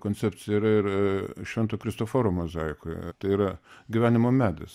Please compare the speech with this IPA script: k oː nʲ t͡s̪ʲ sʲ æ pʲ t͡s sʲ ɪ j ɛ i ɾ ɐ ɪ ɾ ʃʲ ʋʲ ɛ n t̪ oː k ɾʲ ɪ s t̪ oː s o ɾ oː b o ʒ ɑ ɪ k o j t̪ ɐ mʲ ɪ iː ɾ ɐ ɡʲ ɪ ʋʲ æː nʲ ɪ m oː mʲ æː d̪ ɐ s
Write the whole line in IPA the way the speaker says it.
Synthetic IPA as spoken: k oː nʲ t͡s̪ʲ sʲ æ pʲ t͡s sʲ ɪ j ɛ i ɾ ɐ ɪ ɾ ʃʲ ʋʲ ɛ n t̪ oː k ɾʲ ɪ s t̪ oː f o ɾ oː m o z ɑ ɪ k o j t̪ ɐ ɪ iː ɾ ɐ ɡʲ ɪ ʋʲ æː nʲ ɪ m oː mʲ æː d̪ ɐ s